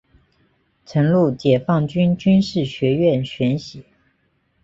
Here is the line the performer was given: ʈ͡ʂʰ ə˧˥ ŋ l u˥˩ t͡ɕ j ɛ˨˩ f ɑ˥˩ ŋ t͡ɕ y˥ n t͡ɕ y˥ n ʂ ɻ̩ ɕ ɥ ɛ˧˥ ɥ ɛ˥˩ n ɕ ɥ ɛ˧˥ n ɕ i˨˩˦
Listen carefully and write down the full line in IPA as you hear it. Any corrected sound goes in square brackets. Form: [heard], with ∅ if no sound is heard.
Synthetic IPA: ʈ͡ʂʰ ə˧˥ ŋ l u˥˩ t͡ɕ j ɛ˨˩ f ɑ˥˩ ŋ t͡ɕ y˥ n t͡ɕ y˥ n ʂ ɻ̩ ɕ ɥ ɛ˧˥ ɥ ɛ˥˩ n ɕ ɥ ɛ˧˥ n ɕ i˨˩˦

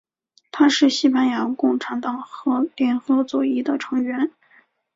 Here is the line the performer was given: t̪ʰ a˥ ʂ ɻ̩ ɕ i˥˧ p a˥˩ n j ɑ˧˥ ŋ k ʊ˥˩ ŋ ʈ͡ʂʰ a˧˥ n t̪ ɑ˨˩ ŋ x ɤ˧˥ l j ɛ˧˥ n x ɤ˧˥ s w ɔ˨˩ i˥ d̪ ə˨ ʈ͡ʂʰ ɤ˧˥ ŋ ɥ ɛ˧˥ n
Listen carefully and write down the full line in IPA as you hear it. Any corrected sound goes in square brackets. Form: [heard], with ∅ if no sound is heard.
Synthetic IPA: t̪ʰ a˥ ʂ ɻ̩ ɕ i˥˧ p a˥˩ n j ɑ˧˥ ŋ k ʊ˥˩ ŋ ʈ͡ʂʰ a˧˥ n t̪ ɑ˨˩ ŋ x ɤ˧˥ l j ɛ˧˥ n x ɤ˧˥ [t͡s] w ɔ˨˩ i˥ d̪ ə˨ ʈ͡ʂʰ ɤ˧˥ ŋ ɥ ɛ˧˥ n

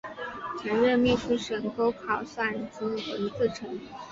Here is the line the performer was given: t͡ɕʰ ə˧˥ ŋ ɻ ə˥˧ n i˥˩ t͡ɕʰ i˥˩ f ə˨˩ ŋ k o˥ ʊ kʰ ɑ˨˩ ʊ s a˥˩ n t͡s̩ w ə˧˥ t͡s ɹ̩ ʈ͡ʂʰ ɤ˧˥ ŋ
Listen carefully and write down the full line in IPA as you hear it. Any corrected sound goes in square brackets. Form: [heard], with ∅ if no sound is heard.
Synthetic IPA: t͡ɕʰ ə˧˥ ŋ ɻ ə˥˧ [m] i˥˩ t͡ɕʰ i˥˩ [ʂ] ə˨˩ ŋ k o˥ ʊ kʰ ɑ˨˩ ʊ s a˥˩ n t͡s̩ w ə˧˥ t͡s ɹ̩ ʈ͡ʂʰ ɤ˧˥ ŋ

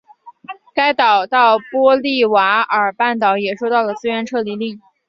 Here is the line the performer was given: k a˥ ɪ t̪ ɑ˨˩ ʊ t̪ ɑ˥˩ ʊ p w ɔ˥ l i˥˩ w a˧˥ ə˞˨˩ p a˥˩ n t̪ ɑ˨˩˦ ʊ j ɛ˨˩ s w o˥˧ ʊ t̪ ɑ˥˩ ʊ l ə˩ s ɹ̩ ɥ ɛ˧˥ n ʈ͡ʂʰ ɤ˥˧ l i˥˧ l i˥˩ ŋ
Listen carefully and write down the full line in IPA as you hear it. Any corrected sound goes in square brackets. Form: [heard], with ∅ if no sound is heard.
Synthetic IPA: k a˥ ɪ t̪ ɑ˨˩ ʊ t̪ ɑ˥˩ ʊ p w ɔ˥ l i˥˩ w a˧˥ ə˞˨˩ p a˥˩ n t̪ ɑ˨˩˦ ʊ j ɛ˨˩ [ʂ] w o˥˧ ʊ t̪ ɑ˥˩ ʊ l ə˩ [t͡s] ɹ̩ ɥ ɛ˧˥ n ʈ͡ʂʰ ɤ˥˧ l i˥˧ l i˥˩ ŋ

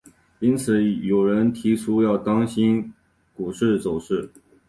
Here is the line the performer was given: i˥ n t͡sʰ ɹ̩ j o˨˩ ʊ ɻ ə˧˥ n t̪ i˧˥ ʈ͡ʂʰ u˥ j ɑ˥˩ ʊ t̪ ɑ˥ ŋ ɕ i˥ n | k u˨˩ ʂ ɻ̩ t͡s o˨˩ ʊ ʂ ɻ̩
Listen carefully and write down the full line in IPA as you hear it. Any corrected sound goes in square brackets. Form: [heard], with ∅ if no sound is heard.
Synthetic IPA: i˥ n t͡sʰ ɹ̩ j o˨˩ ʊ ɻ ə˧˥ n [t̪ʰ] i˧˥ ʈ͡ʂʰ u˥ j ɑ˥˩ ʊ t̪ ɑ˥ ŋ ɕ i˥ n | k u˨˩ ʂ ɻ̩ t͡s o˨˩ ʊ ʂ ɻ̩

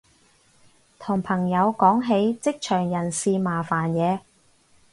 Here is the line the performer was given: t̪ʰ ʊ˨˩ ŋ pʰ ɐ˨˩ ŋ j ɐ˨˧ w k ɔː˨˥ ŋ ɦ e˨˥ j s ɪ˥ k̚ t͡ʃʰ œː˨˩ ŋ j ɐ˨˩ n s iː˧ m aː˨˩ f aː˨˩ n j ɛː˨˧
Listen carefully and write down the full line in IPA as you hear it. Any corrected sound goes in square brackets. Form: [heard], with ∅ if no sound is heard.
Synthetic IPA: t̪ʰ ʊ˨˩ ŋ pʰ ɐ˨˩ ŋ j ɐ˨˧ w k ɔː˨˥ ŋ ɦ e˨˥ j [t͡s] ɪ˥ k̚ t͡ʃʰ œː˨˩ ŋ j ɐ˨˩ n s iː˧ m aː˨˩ f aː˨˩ n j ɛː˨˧

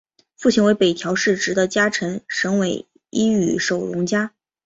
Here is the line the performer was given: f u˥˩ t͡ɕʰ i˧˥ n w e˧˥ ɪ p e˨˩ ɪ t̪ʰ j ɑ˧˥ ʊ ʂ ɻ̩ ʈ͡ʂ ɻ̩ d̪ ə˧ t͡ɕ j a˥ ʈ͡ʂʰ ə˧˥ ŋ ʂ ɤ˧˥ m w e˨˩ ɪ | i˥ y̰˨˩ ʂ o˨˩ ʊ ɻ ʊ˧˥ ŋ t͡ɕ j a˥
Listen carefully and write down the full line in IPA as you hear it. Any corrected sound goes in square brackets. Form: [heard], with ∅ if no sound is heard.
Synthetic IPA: f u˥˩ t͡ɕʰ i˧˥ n w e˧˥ ɪ p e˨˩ ɪ t̪ʰ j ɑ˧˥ ʊ ʂ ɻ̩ ʈ͡ʂ ɻ̩ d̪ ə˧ t͡ɕ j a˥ ʈ͡ʂʰ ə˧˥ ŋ ʂ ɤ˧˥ [ŋ] w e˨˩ ɪ | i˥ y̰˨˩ ʂ o˨˩ ʊ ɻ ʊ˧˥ ŋ t͡ɕ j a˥

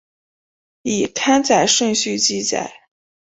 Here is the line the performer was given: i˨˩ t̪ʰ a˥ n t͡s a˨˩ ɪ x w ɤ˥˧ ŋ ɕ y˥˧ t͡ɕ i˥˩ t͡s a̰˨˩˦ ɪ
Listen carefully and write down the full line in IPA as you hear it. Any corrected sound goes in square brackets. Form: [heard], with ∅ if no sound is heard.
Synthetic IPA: i˨˩ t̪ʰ a˥ n t͡s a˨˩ ɪ [ʂ] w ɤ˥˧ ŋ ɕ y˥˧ t͡ɕ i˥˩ t͡s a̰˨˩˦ ɪ

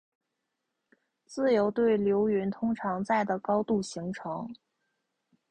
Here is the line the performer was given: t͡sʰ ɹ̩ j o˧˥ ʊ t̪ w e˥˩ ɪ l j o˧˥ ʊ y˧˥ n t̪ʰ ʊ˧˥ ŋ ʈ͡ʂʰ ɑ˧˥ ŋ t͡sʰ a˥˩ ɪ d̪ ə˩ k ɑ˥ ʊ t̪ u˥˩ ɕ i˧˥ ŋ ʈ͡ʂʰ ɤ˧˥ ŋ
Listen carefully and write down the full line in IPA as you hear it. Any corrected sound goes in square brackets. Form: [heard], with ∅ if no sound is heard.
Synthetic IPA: [t͡s] ɹ̩ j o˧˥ ʊ t̪ w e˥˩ ɪ l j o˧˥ ʊ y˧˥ n t̪ʰ [ʊ˥] ŋ ʈ͡ʂʰ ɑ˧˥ ŋ [t͡s] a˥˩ ɪ d̪ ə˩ k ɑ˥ ʊ t̪ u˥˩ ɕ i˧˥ ŋ ʈ͡ʂʰ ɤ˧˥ ŋ

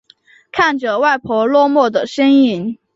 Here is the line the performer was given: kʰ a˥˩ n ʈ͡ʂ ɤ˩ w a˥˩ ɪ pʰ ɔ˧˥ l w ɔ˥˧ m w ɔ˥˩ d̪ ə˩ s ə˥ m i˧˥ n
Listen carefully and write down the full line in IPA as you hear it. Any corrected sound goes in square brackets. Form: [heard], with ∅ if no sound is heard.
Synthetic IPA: kʰ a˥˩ n ʈ͡ʂ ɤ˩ w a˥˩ ɪ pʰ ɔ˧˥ l w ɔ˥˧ m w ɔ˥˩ d̪ ə˩ [ʂ] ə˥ [n] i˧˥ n

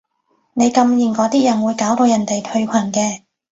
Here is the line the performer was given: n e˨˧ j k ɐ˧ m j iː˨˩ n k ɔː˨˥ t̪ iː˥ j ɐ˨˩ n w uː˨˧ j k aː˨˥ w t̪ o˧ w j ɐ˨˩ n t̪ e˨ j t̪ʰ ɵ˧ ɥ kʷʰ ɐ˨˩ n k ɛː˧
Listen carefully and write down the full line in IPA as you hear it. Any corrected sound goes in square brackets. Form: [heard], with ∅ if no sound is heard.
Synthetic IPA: n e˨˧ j k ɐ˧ m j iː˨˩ n k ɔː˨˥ t̪ iː˥ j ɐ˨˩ n w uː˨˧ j k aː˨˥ w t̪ o˧ w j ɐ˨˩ n t̪ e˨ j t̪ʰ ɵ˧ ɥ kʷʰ ɐ˨˩ n k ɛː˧

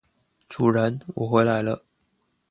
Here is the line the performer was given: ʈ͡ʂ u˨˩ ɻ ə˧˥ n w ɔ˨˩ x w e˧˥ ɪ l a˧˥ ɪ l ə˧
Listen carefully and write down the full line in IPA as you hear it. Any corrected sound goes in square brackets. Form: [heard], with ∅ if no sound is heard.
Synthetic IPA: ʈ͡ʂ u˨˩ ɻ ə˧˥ n w ɔ˨˩ x w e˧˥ ɪ l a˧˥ ɪ l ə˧

